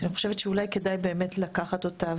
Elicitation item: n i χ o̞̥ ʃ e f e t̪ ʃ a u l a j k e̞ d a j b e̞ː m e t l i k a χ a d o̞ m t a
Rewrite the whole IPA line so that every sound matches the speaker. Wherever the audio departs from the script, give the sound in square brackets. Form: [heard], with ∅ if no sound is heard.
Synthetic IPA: n i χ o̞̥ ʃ e [v] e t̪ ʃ [e] u l a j k e̞ d a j b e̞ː m e t l [a] k a χ a [t] o̞ [∅] t a